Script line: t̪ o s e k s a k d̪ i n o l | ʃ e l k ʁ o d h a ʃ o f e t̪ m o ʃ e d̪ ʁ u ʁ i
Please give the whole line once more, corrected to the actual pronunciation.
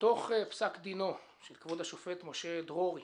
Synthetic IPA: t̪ o χ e p s a k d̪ i n o | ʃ e l k v o d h a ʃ o f e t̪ m o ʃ e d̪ ʁ o ʁ i